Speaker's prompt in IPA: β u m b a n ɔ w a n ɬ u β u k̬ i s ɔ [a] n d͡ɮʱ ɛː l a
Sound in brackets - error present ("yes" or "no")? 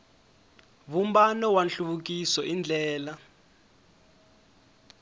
yes